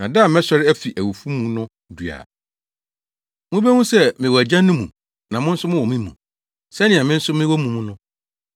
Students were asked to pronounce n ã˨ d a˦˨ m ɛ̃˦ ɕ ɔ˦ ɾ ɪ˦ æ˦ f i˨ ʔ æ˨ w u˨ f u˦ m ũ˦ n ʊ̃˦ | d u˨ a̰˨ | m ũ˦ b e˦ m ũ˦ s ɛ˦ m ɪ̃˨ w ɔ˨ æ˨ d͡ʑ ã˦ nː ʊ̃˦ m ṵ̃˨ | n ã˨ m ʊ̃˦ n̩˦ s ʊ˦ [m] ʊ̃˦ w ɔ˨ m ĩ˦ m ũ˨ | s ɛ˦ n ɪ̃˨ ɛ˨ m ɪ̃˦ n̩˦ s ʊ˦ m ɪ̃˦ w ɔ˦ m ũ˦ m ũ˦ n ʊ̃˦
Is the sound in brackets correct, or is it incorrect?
correct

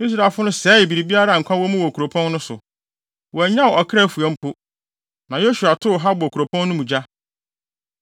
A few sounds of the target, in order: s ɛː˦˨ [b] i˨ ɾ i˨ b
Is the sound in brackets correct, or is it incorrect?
correct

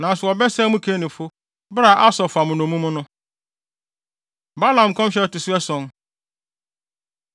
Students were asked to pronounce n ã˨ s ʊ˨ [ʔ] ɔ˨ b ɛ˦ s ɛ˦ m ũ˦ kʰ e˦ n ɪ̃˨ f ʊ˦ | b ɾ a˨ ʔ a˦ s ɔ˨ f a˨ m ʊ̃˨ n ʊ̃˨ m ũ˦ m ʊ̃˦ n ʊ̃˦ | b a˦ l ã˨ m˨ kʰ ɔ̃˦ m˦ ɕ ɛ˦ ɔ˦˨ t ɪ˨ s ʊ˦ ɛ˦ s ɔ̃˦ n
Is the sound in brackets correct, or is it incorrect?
incorrect: none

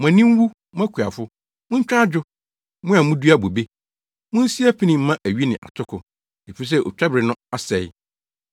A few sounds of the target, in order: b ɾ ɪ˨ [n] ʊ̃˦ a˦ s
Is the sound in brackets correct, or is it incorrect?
correct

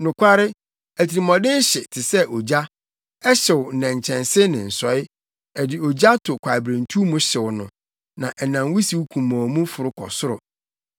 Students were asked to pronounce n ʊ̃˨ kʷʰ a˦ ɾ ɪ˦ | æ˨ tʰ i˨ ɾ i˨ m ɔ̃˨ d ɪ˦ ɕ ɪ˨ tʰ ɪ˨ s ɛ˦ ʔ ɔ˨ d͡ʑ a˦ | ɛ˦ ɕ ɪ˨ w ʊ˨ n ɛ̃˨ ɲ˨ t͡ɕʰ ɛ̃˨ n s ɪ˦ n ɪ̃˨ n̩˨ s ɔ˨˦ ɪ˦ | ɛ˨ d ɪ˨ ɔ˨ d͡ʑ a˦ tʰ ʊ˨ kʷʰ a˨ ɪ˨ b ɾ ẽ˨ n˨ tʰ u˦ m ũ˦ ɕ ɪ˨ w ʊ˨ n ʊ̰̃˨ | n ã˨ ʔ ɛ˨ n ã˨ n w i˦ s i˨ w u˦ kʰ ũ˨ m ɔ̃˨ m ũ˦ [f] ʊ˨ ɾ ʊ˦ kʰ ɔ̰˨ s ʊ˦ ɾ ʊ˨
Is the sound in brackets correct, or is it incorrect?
correct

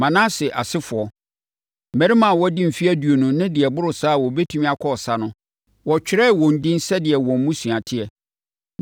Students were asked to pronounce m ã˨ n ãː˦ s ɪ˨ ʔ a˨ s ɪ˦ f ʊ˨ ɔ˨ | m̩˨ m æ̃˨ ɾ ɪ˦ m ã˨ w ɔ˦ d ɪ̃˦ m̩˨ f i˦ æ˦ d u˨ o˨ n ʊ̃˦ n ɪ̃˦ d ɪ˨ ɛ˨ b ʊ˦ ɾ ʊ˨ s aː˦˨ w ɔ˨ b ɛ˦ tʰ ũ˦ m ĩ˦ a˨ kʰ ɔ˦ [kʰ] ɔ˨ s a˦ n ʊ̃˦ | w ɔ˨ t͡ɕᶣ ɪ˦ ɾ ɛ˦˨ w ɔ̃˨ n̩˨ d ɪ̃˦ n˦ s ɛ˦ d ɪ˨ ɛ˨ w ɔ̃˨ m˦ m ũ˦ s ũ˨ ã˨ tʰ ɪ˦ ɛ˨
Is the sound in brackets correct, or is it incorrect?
incorrect: none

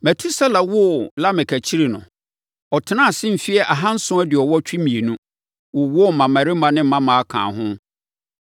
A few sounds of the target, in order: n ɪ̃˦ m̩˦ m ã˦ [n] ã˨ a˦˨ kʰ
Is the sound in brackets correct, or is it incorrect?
incorrect: m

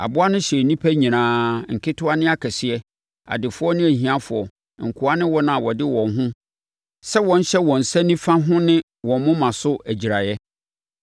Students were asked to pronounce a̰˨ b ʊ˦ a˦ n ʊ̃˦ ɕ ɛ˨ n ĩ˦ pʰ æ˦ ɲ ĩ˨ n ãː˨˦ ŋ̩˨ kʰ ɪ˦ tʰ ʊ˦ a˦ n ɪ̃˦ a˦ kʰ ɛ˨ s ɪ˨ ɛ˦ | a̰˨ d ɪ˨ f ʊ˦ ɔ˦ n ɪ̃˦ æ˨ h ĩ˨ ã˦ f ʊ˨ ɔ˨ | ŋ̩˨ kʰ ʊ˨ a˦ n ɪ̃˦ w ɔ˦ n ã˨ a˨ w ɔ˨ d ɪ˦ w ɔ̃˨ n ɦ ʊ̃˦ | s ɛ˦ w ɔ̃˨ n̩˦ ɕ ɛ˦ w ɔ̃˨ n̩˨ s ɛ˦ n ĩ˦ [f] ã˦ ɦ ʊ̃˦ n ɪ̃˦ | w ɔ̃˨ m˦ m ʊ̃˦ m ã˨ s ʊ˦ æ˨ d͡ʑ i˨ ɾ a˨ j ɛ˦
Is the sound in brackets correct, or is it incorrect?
correct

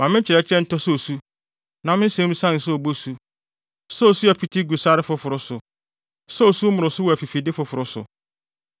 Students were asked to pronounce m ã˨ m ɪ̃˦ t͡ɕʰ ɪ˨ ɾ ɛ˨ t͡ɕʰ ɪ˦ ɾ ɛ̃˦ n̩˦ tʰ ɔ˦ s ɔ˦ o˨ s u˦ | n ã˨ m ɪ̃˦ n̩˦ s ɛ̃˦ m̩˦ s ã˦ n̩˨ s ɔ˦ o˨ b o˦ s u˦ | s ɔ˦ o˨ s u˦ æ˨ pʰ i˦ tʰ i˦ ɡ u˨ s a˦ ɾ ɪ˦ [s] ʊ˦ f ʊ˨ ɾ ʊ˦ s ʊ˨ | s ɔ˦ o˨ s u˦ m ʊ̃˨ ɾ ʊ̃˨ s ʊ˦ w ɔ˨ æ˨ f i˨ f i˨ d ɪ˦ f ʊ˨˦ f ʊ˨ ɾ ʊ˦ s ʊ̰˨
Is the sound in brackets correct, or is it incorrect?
incorrect: f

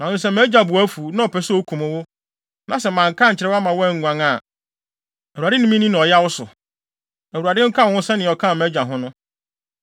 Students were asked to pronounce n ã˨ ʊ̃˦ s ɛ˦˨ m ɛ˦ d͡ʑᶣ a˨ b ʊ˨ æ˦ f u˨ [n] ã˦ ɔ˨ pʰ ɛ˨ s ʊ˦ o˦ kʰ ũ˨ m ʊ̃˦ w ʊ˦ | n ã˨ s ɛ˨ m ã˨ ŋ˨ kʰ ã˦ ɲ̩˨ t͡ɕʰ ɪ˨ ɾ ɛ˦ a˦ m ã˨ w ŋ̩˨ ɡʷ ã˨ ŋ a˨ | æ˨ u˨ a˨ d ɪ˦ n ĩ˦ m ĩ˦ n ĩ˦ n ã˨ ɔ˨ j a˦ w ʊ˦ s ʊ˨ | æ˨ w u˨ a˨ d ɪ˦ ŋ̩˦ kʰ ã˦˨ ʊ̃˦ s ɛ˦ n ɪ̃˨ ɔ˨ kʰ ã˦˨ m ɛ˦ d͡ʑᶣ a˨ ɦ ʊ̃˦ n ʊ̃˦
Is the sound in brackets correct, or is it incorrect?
correct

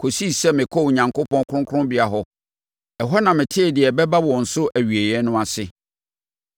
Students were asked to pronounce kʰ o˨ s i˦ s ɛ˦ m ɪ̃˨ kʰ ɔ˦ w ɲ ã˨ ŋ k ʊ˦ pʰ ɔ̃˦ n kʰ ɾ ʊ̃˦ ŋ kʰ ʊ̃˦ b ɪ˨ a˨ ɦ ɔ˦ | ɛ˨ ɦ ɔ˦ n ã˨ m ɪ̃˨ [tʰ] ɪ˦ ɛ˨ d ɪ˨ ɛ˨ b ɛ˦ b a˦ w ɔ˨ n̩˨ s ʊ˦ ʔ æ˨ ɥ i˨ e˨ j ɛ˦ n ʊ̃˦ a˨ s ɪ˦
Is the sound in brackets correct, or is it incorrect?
correct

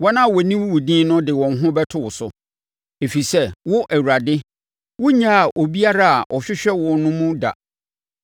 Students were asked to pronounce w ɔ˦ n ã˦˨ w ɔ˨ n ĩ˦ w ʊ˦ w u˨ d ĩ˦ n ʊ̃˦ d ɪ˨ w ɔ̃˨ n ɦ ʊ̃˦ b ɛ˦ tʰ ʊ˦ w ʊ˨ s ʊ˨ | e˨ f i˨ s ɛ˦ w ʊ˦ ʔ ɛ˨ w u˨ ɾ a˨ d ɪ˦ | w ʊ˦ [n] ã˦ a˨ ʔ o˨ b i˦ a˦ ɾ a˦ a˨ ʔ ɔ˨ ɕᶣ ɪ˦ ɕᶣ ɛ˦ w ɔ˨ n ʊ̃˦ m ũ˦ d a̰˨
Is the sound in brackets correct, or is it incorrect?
incorrect: ɲ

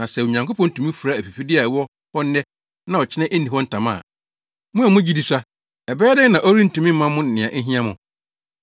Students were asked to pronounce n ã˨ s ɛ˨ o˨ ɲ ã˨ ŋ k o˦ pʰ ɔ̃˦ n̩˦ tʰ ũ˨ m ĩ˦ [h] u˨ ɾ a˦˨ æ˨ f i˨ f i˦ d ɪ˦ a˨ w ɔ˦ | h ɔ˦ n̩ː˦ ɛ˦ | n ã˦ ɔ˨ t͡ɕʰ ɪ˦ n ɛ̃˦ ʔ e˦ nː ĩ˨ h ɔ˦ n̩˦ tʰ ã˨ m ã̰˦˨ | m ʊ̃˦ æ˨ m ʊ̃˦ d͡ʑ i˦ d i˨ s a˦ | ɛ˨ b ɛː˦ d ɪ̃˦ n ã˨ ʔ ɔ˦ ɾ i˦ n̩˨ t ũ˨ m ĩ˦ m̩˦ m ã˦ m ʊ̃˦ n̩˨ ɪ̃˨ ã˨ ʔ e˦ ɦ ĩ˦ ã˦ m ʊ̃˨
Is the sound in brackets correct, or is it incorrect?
incorrect: f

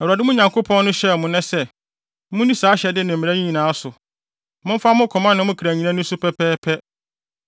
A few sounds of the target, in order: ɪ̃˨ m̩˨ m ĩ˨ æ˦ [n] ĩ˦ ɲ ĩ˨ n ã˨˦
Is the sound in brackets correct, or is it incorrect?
incorrect: ɲ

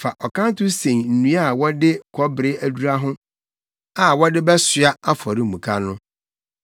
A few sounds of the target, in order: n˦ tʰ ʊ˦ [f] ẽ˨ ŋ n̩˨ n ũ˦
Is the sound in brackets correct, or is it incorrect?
incorrect: s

